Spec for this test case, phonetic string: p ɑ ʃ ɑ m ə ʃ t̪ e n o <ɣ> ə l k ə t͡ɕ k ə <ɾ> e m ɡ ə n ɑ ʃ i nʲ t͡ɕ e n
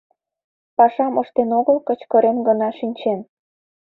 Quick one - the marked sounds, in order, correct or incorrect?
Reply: correct, correct

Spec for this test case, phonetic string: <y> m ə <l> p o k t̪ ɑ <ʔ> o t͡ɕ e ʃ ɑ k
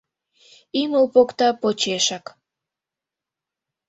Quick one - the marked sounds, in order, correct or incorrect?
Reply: incorrect: i, correct, incorrect: p

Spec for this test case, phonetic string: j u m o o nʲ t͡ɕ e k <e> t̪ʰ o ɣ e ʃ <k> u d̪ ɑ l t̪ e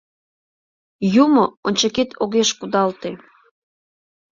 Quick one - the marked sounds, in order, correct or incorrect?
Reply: correct, correct

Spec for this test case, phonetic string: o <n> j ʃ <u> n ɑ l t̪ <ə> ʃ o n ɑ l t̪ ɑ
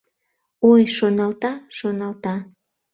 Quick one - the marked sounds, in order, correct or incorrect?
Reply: incorrect: none, incorrect: o, incorrect: ɑ

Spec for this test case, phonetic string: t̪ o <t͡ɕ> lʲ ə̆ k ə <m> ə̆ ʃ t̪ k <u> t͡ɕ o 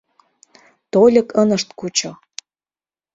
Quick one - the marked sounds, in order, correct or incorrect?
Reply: incorrect: none, incorrect: n, correct

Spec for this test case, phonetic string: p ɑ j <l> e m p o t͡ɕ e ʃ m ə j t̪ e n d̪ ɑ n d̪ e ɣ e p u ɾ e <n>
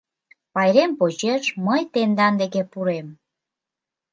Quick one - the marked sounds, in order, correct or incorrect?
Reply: incorrect: ɾ, incorrect: m

